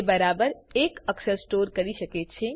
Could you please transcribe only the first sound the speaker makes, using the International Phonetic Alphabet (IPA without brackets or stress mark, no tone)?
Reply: b